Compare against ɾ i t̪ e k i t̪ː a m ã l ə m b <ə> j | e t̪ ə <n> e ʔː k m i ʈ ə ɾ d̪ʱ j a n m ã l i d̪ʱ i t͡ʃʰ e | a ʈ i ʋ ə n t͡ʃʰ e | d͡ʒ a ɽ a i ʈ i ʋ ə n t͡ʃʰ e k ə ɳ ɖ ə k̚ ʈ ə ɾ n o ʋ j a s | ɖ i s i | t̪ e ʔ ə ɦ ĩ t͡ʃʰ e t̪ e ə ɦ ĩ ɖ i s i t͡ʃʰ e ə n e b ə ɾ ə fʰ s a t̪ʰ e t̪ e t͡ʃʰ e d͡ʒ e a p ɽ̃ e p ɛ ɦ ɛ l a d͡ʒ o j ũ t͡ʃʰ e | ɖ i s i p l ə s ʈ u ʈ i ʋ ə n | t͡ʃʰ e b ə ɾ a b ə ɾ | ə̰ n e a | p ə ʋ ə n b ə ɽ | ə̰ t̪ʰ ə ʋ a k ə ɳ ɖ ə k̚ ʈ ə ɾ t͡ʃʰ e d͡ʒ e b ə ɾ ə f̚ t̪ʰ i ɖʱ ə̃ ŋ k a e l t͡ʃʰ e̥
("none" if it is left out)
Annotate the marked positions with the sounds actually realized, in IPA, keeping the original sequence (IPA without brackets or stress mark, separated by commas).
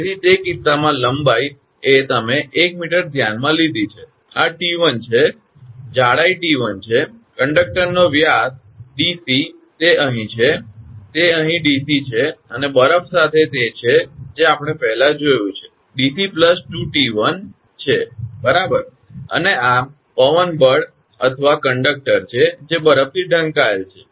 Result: a, m